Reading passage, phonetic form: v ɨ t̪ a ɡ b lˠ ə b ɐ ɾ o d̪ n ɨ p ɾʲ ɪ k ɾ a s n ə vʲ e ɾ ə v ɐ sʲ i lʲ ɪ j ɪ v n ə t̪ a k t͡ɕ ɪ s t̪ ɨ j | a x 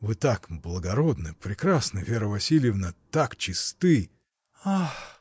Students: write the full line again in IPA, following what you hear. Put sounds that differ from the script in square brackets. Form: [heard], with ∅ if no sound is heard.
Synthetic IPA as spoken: v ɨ t̪ a [k] b lˠ ə [ɡ] ɐ ɾ o d̪ n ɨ p ɾʲ ɪ k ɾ a s n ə vʲ e ɾ ə v ɐ sʲ i lʲ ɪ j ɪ v n ə t̪ a k t͡ɕ ɪ s t̪ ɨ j | a x